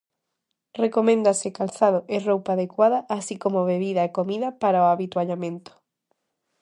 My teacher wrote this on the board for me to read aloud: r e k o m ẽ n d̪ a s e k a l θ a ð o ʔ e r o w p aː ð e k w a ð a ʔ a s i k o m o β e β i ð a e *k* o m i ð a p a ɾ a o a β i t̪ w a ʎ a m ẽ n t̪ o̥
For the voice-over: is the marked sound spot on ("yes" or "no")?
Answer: yes